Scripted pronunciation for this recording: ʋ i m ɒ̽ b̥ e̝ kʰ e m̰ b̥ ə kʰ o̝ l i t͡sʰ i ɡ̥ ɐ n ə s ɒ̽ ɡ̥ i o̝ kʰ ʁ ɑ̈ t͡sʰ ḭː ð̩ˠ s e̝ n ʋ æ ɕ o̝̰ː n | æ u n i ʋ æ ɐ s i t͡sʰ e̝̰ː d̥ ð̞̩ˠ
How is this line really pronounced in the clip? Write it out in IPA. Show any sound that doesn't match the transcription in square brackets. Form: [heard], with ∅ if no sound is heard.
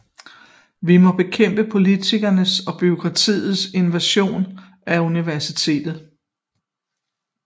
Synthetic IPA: ʋ i m ɒ̽ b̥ e̝ kʰ e m̰ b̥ ə [pʰ] o̝ l i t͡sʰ i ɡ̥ ɐ n ə s ɒ̽ [b̥] i o̝ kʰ ʁ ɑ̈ t͡sʰ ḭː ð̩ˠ s e̝ n ʋ æ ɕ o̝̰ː n | æ u n i ʋ æ ɐ s i t͡sʰ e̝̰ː d̥ ð̞̩ˠ